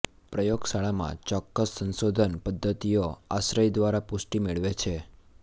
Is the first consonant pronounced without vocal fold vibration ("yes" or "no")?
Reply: yes